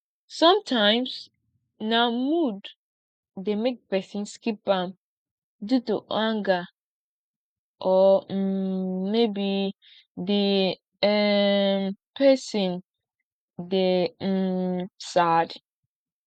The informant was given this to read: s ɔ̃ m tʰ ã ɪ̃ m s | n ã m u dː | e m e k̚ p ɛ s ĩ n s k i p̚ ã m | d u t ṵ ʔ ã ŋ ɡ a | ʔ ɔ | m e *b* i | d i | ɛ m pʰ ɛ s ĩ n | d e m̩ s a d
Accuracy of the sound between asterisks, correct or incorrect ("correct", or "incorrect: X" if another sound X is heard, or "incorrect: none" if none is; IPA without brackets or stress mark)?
correct